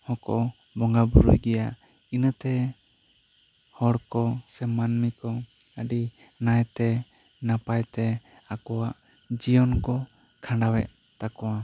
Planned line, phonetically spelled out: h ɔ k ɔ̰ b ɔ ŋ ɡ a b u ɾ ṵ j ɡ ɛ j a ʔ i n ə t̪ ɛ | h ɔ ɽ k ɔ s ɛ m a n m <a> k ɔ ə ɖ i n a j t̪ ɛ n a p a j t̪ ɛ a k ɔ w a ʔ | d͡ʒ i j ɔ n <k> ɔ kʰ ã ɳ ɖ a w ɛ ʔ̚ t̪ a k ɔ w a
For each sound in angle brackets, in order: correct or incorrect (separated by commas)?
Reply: incorrect, correct